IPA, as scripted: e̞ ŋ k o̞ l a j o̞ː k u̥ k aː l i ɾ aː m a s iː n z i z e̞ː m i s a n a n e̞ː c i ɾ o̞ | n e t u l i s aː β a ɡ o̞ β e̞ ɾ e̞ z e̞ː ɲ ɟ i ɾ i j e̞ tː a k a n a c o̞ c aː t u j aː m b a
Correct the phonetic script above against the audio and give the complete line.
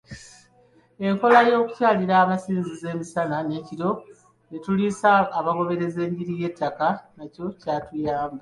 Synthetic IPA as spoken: e̞ ŋ k o̞ l a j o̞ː k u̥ c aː l i ɾ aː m a s iː n z i z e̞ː m i s a n a n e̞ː c i ɾ o̞ | n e t u l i s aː β a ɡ o̞ β e̞ ɾ e̞ z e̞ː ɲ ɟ i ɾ i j e̞ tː a k a n a c o̞ c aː t u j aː m b a